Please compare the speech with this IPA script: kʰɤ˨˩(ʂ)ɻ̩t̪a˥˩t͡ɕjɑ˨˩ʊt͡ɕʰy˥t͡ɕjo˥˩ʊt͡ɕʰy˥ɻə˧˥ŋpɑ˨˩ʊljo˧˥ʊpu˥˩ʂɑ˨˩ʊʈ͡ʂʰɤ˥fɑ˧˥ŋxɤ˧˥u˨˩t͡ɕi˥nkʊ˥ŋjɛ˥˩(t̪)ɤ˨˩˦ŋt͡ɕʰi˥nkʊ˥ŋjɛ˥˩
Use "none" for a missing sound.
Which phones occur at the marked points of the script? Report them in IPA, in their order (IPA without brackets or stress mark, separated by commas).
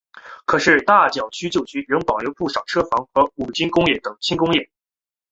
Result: ʂ, t̪